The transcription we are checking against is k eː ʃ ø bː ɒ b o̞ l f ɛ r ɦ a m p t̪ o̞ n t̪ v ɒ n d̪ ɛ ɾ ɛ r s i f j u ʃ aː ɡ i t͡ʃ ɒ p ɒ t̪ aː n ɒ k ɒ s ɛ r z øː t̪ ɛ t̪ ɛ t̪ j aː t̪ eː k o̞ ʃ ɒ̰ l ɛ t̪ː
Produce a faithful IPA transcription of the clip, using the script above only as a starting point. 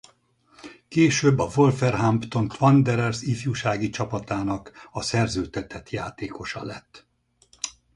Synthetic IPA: k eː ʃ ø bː ɒ v o̞ l f ɛ r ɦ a m p t̪ o̞ n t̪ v ɒ n d̪ ɛ ɾ ɛ r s i f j u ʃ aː ɡ i t͡ʃ ɒ p ɒ t̪ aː n ɒ k ɒ s ɛ r z øː t̪ ɛ t̪ ɛ t̪ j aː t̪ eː k o̞ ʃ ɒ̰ l ɛ t̪ː